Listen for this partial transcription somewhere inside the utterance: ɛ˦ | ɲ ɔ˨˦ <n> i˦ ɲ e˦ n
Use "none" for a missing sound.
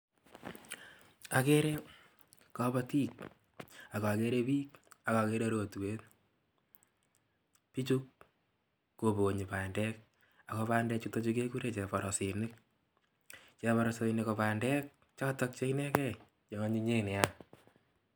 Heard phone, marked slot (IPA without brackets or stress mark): ɲ